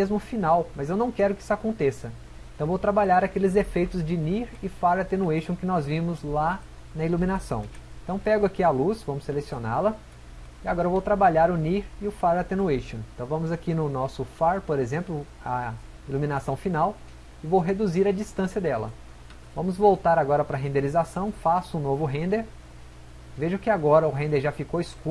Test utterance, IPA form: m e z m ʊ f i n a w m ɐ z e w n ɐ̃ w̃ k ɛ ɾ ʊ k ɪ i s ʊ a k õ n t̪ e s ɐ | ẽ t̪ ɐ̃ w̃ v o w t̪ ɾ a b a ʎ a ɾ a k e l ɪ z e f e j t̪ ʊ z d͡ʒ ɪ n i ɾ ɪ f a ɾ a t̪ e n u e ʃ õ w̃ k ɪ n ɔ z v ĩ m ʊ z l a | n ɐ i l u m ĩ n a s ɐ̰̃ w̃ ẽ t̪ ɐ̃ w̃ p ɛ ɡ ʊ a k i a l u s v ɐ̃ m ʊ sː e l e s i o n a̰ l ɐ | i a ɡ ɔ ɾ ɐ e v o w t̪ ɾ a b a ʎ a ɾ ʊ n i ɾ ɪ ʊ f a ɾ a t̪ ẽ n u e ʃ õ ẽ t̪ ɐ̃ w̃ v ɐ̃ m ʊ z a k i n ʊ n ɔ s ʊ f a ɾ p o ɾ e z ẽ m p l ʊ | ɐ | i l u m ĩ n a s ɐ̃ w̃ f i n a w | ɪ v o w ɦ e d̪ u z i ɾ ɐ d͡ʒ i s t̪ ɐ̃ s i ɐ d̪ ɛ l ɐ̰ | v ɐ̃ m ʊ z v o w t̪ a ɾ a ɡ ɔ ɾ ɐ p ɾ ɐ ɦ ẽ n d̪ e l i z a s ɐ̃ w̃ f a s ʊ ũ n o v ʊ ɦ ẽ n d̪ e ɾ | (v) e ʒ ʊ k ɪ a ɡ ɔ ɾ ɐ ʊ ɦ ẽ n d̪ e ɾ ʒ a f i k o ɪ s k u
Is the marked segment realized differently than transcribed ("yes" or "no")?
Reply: no